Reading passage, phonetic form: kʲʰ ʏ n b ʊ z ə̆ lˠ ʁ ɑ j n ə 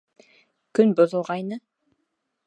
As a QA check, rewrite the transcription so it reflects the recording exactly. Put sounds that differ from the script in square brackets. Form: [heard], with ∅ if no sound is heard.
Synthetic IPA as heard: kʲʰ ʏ n b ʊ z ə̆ lˠ ʁ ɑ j n ə